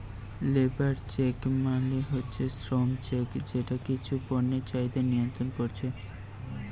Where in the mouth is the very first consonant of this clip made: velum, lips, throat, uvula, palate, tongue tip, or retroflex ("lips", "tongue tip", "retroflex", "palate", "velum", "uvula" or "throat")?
tongue tip